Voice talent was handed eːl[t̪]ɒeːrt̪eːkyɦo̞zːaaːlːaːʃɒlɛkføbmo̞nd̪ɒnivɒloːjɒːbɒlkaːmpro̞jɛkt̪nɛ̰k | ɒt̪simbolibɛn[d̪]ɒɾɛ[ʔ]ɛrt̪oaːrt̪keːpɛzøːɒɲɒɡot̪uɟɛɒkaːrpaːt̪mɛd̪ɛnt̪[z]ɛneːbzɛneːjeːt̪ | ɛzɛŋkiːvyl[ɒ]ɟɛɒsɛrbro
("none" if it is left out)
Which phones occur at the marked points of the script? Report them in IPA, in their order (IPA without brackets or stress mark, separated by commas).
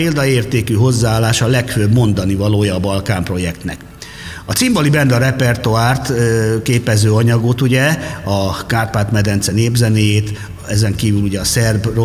d̪, d̪, p, s, u